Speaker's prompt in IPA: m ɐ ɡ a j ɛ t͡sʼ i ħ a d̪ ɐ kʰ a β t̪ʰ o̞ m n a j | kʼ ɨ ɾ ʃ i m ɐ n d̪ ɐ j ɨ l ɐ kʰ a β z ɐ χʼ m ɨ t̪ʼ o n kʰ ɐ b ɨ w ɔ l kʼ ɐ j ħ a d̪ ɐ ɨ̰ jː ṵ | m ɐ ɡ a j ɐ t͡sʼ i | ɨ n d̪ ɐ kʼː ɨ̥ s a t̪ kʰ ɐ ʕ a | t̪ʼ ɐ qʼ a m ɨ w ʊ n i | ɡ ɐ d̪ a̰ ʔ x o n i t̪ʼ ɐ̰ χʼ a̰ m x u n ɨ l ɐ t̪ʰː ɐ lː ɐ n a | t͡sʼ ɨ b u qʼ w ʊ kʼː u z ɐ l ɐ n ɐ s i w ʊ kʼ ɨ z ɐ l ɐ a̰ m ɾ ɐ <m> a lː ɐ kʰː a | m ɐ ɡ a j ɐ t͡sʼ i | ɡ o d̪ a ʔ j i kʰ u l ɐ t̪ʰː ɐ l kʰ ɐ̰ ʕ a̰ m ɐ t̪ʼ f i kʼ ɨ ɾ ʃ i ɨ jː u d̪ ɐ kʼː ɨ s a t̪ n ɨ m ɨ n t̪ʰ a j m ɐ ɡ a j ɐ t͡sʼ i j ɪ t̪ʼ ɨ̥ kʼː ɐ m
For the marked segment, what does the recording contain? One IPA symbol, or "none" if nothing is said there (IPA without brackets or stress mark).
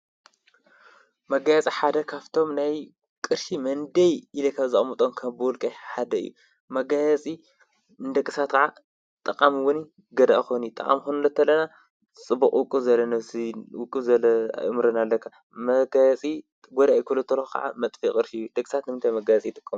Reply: n